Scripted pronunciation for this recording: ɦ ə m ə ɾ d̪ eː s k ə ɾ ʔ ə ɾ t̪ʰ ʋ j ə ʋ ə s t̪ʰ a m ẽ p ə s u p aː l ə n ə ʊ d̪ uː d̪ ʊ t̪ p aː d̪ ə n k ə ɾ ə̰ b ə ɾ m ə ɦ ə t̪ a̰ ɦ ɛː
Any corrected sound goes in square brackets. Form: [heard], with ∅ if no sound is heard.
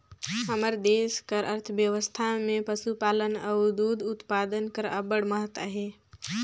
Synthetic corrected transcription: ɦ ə m ə ɾ d̪ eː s k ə ɾ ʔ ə ɾ t̪ʰ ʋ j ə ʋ ə s t̪ʰ a m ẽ p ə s u p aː l ə n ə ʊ d̪ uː d̪ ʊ t̪ p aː d̪ ə n k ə ɾ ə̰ b ə [ɽ] m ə ɦ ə t̪ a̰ ɦ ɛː